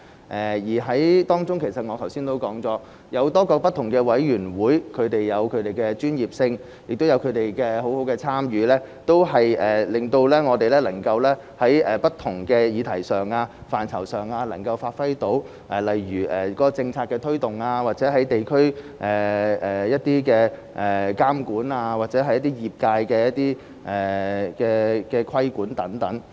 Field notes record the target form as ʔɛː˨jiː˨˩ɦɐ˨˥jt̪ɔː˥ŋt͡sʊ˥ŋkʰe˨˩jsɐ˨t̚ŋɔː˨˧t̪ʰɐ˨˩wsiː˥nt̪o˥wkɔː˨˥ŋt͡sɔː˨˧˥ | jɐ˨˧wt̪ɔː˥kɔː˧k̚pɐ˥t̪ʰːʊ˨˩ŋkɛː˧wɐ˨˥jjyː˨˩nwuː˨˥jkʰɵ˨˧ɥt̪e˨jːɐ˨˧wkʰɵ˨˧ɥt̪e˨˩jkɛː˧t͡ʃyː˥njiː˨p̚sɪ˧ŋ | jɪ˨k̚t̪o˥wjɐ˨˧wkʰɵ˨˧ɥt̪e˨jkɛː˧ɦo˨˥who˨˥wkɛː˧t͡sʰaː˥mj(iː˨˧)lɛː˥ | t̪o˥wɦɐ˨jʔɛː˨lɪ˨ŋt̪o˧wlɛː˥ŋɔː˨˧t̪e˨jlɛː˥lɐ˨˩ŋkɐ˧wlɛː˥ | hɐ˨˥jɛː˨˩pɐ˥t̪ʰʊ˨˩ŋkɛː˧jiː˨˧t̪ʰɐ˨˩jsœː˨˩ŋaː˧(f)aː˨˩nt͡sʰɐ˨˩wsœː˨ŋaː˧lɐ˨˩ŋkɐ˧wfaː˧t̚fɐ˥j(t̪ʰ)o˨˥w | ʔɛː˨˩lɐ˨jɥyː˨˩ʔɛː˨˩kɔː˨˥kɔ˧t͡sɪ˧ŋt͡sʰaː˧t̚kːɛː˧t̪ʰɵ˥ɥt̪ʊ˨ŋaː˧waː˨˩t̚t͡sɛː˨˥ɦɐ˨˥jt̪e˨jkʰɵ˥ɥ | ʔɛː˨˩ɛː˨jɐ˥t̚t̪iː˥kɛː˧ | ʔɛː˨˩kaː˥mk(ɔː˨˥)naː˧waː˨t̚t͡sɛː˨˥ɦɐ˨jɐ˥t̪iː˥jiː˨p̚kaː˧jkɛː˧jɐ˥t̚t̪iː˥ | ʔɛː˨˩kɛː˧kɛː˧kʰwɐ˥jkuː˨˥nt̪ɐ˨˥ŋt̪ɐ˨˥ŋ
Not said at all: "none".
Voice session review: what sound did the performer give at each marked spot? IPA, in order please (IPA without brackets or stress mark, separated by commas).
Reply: yː˨˧, f, t̪, uː˨˥